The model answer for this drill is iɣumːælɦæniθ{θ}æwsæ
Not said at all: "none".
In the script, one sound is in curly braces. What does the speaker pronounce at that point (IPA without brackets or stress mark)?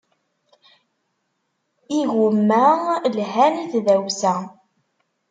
ð